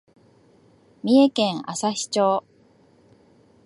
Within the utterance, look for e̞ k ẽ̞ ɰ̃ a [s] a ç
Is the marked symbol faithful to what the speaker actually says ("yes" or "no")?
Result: yes